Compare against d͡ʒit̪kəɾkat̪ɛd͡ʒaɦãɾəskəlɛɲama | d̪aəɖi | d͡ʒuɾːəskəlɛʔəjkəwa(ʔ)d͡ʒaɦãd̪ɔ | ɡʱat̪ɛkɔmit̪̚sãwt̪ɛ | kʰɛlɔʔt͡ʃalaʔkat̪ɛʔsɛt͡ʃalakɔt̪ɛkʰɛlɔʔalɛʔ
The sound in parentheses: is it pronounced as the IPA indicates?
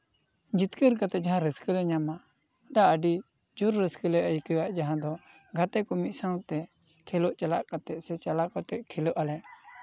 yes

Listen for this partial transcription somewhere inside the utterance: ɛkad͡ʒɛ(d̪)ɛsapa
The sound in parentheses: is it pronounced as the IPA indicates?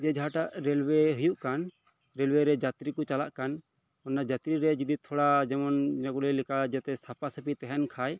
no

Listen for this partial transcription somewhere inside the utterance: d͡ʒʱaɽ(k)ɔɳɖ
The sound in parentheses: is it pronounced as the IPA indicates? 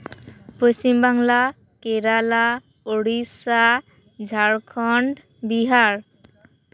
no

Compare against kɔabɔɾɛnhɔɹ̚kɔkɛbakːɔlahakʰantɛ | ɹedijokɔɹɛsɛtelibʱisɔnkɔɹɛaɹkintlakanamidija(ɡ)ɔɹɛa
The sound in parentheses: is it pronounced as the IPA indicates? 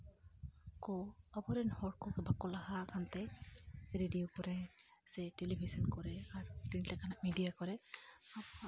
no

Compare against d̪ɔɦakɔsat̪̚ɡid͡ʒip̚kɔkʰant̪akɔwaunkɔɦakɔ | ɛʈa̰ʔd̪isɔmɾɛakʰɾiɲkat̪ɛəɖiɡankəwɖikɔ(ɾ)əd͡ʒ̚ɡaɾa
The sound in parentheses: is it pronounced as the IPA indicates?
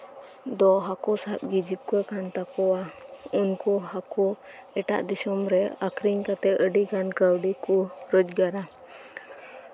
yes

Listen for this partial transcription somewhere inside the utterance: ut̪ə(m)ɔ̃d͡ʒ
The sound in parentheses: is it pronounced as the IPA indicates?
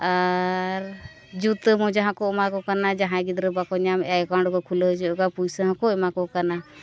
yes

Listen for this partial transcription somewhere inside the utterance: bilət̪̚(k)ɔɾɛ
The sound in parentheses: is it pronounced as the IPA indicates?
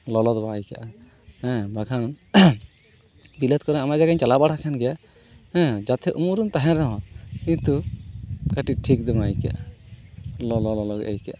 yes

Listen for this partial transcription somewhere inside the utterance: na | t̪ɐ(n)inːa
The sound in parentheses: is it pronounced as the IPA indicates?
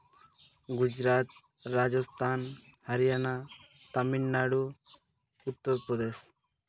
no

